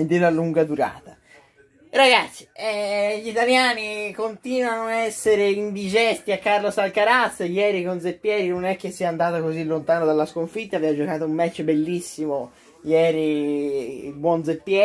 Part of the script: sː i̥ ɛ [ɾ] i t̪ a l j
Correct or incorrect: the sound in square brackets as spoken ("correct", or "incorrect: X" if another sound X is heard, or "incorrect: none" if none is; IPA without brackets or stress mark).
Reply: incorrect: ʎ